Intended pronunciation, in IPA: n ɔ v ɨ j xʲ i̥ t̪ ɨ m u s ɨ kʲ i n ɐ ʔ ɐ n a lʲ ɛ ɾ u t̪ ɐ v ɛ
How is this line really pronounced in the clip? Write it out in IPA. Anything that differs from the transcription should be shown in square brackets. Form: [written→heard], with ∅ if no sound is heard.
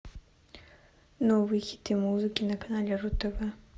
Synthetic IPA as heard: n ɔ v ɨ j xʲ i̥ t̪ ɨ m u [s→z] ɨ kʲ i n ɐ [ʔ→k] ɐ n a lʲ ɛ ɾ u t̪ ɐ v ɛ